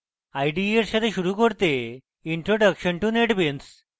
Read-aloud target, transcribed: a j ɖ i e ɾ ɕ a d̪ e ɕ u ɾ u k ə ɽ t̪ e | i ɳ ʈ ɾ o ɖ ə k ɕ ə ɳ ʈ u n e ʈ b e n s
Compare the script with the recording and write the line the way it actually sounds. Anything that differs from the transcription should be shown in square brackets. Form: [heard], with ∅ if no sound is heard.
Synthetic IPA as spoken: a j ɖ i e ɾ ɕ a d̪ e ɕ u ɾ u k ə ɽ t̪ e | i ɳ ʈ ɾ o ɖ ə k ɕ ə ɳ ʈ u n e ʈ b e n s